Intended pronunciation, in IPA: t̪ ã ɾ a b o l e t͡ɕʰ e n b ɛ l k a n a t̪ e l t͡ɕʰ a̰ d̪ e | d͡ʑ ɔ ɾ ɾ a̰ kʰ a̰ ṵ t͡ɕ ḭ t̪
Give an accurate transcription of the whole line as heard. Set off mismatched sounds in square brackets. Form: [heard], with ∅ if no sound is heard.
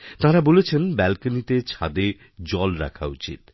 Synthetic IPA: t̪ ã ɾ a b o l e t͡ɕʰ e n b ɛ l k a n [i] t̪ e [∅] t͡ɕʰ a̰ d̪ e | d͡ʑ ɔ [l] ɾ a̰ kʰ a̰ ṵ t͡ɕ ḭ t̪

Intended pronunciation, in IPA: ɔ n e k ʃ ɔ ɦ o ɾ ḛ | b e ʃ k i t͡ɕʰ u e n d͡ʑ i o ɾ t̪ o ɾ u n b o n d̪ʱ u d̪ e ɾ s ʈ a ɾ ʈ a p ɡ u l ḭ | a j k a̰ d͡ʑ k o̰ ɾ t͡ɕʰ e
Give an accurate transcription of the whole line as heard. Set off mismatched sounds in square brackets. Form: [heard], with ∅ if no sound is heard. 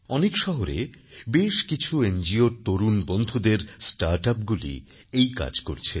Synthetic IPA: ɔ n e k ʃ ɔ ɦ o ɾ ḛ | b e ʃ k i t͡ɕʰ u e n d͡ʑ i o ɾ t̪ o ɾ u n b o n d̪ʱ u d̪ e ɾ s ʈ a ɾ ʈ a p ɡ u l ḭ | [e] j k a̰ d͡ʑ k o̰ ɾ t͡ɕʰ e

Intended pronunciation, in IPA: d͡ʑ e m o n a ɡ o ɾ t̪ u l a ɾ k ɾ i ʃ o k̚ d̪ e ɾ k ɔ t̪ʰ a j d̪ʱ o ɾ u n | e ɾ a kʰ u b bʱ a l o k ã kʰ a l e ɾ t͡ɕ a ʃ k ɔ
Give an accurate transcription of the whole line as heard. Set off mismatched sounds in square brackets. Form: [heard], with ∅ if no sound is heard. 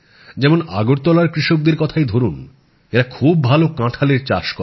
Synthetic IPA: d͡ʑ [ɛ] m o n a ɡ o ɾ t̪ [ɔ] l a ɾ k ɾ i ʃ o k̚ d̪ e ɾ k ɔ t̪ʰ a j d̪ʱ o ɾ u n | e ɾ a kʰ u b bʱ a l o k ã [ʈʰ] a l e ɾ t͡ɕ a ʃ k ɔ

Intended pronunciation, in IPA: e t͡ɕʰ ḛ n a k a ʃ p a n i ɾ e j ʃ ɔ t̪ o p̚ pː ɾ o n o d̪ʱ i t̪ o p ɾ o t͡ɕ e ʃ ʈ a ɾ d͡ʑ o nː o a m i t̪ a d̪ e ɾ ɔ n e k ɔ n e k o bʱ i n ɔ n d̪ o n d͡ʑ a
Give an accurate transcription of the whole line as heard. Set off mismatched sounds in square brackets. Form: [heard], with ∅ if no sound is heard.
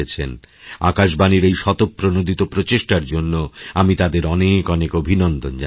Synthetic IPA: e t͡ɕʰ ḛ n a k a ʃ [b] a n i ɾ e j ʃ ɔ t̪ o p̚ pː ɾ o n o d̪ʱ i t̪ o p ɾ o t͡ɕ e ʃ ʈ a ɾ d͡ʑ o nː o a m i t̪ a d̪ e ɾ ɔ n e k ɔ n e k o bʱ i n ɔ n d̪ o n d͡ʑ a

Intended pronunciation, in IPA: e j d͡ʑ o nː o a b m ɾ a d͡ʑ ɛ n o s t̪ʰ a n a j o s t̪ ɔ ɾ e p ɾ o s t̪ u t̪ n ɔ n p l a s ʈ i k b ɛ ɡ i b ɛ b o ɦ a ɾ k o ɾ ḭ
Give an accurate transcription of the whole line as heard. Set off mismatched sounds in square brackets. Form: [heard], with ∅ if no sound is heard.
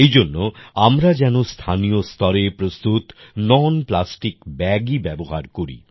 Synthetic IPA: e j d͡ʑ o nː o a [∅] m ɾ a d͡ʑ ɛ n o s t̪ʰ a n [i] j o s t̪ ɔ ɾ e p ɾ o s t̪ u t̪ n ɔ n p l a s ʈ i k b ɛ ɡ i b ɛ b o ɦ a ɾ k o ɾ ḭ

